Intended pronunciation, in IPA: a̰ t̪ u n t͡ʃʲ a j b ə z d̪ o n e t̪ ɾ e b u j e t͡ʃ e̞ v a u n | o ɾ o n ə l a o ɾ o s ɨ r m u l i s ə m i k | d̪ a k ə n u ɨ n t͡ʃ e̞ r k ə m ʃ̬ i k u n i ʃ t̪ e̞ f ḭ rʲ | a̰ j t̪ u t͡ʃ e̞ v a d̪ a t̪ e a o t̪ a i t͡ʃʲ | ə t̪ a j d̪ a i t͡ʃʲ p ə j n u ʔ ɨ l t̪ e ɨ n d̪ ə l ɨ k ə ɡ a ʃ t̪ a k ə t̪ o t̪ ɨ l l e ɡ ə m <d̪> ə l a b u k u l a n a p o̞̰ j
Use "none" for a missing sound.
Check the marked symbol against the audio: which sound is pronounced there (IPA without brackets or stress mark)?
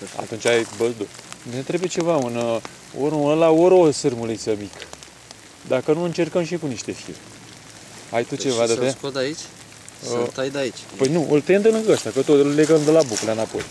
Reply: d̪